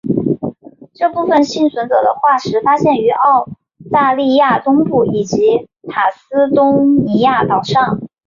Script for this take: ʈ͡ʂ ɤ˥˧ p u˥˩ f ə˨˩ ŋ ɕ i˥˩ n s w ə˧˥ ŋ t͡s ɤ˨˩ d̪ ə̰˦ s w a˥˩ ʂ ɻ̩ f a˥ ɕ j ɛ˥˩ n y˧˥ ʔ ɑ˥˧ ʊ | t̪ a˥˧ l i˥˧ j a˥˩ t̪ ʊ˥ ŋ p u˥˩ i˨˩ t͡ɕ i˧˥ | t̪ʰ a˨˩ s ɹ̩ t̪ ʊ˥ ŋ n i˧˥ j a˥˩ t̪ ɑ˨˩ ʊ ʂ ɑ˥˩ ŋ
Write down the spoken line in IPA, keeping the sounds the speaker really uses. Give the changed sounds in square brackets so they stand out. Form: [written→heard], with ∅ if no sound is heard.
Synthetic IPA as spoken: ʈ͡ʂ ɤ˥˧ p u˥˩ f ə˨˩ [ŋ→n] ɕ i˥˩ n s w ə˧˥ [ŋ→n] t͡s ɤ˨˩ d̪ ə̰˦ [s→x] w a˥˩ ʂ ɻ̩ f a˥ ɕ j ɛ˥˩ n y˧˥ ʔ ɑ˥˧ ʊ | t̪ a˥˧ l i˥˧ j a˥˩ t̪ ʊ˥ ŋ p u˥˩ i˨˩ t͡ɕ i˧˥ | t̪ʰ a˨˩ s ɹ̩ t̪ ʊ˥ ŋ n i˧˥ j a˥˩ t̪ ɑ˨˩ ʊ ʂ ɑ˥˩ ŋ